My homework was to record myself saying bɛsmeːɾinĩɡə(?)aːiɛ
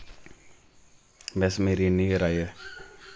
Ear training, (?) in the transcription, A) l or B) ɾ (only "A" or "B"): B